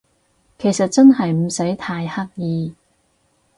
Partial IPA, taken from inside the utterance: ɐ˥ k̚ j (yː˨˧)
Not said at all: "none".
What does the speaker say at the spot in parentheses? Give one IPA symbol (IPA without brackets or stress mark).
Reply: iː˨˧